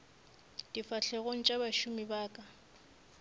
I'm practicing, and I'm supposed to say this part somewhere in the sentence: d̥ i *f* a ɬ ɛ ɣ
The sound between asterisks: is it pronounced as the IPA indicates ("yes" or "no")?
yes